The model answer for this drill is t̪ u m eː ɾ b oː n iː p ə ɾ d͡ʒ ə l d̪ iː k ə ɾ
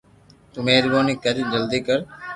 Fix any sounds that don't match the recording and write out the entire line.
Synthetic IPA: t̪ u m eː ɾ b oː n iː k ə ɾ d͡ʒ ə l d̪ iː k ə ɾ